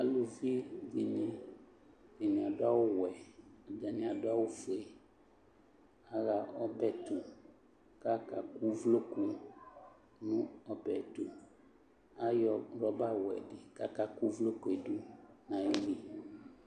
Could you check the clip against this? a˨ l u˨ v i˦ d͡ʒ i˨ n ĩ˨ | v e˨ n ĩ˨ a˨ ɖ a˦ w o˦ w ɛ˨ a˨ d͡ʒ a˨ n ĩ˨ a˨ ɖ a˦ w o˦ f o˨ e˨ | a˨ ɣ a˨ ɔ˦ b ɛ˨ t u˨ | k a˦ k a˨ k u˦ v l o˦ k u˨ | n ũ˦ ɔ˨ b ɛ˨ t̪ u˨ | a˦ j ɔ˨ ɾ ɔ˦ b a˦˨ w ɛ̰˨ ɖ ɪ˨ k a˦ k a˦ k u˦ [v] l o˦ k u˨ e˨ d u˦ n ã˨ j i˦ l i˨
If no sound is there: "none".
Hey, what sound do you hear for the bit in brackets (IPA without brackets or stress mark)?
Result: v